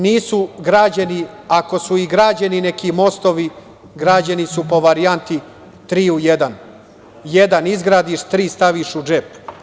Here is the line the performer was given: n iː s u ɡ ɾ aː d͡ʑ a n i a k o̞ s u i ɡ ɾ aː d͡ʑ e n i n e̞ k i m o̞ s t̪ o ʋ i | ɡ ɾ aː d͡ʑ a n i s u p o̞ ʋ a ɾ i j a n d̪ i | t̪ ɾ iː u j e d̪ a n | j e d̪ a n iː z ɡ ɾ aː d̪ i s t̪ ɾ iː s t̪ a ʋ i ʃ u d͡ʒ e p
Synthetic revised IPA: n iː s u ɡ ɾ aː d͡ʑ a n i a k o̞ s u i ɡ ɾ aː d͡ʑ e n i n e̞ k i m o̞ s t̪ o ʋ i | ɡ ɾ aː d͡ʑ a n i s u p o̞ ʋ a ɾ i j a n t̪ i | t̪ ɾ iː u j e d̪ a n | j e d̪ a n i z ɡ ɾ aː d̪ i ʃ t̪ ɾ iː s t̪ a ʋ i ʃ u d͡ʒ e p